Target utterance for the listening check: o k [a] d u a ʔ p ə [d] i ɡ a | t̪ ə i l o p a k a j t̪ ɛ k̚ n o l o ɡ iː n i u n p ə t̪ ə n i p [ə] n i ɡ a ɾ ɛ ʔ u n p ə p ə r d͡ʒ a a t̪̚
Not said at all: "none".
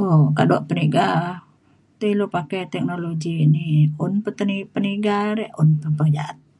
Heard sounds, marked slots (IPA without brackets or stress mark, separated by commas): a, n, ə